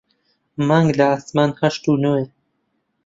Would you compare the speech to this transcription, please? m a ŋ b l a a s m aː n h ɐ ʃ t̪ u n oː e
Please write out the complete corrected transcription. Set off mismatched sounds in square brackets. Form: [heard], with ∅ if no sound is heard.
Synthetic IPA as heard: m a ŋ [ɡ] l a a s m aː n h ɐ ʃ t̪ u n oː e